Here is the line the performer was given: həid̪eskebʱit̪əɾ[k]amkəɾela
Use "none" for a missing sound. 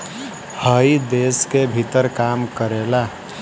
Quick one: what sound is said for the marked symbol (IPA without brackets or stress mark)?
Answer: k